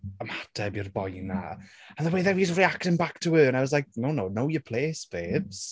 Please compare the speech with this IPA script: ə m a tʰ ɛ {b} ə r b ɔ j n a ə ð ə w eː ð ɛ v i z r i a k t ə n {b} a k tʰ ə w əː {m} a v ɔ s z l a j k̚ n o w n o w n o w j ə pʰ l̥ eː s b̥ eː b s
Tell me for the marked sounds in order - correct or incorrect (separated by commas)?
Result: correct, correct, incorrect